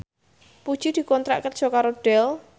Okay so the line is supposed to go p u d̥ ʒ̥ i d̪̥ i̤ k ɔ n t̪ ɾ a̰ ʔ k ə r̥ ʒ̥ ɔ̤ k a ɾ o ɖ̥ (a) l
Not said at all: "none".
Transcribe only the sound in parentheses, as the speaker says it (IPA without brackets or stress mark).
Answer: ɛ